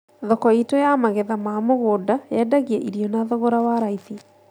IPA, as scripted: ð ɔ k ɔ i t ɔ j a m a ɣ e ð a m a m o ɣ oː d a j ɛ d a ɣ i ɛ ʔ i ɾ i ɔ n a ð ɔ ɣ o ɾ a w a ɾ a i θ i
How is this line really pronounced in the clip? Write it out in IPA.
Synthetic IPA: ð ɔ k ɔ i t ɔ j a m a ɣ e ð a m a m o ɣ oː d a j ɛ d a ɣ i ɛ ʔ i ɾ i ɔ n a ð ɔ ɣ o ɾ a w a ɾ a i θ i